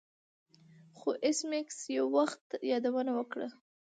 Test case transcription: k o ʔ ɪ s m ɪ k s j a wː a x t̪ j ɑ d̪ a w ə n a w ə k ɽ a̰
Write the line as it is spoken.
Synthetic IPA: x o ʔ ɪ s m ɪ k s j a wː a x t̪ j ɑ d̪ a w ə n a w ə k ɽ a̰